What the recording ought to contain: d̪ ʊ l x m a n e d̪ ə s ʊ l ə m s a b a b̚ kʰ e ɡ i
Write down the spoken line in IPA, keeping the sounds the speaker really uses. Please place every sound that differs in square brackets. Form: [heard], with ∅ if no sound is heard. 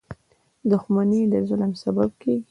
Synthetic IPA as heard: d̪ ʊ [∅] x m a n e d̪ ə [z] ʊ l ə m s a b a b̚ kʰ e ɡ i